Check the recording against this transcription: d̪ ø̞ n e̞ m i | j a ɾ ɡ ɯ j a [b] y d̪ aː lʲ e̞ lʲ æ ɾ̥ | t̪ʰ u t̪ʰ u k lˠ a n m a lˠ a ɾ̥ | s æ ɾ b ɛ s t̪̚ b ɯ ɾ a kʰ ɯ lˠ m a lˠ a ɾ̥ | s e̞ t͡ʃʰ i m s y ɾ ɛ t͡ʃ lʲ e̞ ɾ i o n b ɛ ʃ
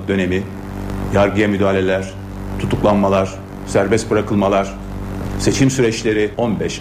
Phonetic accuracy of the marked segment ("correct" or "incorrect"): incorrect